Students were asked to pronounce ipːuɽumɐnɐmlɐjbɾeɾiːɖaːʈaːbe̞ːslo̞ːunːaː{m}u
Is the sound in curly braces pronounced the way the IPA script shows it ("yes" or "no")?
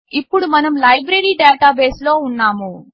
yes